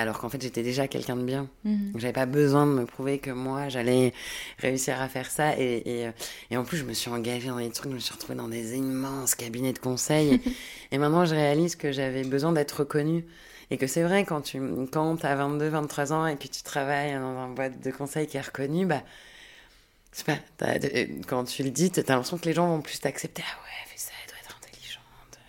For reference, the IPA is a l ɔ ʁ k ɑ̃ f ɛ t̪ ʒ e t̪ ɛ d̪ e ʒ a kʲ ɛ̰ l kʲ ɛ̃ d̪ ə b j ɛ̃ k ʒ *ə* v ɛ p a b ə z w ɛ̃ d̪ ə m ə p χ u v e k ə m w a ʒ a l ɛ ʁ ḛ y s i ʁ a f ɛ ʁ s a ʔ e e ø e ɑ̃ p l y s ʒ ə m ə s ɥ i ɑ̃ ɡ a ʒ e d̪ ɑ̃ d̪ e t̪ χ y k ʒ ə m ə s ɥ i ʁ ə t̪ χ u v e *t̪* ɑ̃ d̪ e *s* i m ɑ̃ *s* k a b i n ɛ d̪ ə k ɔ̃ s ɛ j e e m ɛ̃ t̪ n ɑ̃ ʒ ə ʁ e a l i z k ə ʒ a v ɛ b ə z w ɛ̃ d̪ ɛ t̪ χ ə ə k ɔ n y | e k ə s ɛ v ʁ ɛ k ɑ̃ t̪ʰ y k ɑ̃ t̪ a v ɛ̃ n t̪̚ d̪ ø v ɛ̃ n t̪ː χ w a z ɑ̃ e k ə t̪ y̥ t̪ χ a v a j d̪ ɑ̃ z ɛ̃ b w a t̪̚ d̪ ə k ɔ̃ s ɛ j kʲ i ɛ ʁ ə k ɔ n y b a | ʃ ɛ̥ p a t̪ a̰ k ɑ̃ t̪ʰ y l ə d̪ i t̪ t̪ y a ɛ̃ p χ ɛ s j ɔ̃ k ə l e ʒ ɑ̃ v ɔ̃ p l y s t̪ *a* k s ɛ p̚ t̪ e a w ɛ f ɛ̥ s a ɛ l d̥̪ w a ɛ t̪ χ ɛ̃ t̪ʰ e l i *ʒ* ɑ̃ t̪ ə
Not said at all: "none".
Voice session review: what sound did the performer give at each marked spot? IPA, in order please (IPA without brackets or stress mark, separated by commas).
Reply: a, d̪, z, s, a, ʒ